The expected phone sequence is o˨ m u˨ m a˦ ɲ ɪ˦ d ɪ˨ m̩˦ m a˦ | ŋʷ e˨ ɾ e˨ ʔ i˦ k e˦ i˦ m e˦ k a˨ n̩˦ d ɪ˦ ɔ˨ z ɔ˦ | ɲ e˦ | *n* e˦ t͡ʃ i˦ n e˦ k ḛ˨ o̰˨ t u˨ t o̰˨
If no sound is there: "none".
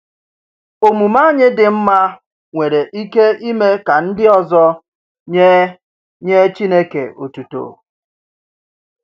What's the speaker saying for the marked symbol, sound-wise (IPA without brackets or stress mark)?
ɲ